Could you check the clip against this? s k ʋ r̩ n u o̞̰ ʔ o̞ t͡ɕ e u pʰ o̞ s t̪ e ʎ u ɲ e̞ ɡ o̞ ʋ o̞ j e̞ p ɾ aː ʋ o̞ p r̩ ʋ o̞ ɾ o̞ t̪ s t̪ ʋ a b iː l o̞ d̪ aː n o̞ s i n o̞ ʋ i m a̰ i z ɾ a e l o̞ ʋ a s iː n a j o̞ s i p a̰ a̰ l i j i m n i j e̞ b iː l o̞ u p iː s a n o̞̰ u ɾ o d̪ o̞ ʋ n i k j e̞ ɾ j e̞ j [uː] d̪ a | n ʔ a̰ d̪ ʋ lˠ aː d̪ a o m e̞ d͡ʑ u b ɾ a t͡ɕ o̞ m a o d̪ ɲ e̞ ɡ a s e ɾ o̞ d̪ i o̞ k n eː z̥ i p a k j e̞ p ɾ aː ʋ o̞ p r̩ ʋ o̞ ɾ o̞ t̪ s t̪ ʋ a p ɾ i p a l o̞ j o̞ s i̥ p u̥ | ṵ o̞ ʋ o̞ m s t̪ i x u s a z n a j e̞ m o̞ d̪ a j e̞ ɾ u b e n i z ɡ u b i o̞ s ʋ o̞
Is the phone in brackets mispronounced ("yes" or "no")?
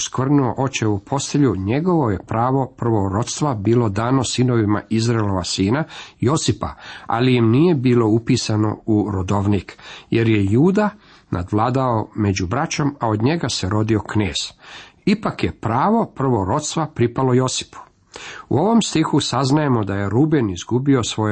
no